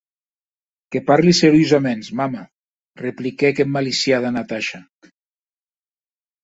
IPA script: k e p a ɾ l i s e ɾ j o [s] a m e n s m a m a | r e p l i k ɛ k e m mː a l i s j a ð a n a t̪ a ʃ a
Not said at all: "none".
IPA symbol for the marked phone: z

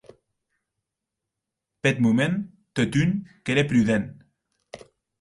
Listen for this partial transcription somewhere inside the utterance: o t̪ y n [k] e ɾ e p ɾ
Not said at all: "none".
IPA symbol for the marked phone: k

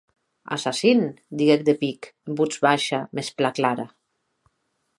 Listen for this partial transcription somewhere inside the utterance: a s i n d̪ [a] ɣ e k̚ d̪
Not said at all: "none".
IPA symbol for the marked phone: i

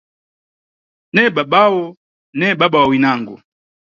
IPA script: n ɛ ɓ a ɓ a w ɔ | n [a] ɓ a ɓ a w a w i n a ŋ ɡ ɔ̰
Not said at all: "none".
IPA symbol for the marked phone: ɛ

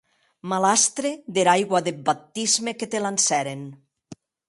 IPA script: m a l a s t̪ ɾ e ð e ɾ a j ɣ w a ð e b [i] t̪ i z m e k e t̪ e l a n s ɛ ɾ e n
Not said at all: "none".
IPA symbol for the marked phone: a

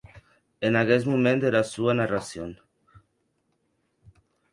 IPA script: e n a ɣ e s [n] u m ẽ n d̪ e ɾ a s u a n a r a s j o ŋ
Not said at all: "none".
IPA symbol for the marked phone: m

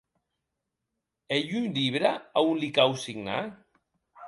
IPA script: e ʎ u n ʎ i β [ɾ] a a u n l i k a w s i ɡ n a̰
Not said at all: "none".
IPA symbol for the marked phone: ɾ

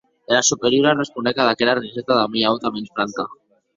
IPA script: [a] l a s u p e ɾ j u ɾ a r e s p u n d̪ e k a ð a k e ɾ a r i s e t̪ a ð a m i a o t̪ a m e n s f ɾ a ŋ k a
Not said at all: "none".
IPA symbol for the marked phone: e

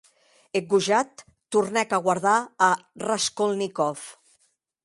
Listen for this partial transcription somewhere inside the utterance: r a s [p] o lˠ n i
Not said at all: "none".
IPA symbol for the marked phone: k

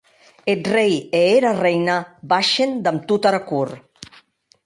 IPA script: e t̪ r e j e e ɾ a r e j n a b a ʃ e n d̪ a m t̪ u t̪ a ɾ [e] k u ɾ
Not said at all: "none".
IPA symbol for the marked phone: a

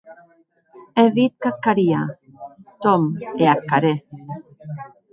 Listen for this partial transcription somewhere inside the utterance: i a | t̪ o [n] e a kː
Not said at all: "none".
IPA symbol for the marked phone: m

